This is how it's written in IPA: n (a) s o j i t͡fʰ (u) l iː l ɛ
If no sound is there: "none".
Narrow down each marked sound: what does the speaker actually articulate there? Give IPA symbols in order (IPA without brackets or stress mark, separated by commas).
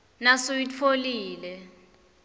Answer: a, o